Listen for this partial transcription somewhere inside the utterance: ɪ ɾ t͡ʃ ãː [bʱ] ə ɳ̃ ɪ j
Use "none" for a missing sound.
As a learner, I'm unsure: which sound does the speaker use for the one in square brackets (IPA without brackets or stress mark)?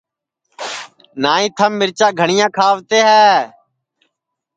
ɡʱ